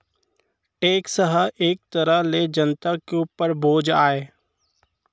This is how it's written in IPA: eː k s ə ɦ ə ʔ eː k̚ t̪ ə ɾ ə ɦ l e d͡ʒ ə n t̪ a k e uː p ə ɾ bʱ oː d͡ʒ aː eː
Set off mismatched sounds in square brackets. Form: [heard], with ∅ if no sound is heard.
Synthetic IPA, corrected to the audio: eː k s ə ɦ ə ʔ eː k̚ t̪ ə ɾ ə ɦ l e d͡ʒ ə n t̪ a k e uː p ə ɾ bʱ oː d͡ʒ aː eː